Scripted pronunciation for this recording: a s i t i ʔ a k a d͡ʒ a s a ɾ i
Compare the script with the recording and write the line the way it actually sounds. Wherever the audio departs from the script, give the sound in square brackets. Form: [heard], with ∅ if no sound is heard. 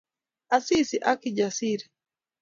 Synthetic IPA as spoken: a s i [s] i ʔ a k [i] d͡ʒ a s [i] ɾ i

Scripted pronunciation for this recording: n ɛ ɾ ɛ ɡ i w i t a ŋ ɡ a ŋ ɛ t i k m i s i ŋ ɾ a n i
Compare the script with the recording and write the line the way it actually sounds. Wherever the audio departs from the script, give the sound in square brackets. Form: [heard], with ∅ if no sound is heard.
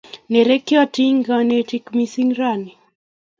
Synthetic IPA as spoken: n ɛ ɾ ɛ [k] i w [a] t [i] ŋ ɡ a [n] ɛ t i k m i s i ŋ ɾ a n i

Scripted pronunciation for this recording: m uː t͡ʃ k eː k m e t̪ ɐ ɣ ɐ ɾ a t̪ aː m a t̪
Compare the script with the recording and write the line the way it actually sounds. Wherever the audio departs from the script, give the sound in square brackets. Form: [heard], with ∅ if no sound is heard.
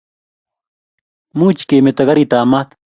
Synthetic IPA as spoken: m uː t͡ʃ k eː [∅] m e t̪ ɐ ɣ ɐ ɾ [i] t̪ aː m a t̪

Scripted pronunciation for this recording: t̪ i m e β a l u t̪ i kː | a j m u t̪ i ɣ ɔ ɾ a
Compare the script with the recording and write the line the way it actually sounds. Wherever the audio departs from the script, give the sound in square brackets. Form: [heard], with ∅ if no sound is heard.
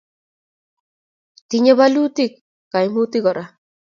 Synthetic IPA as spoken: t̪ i [ɲ] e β a l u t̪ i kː | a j m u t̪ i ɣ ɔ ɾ a

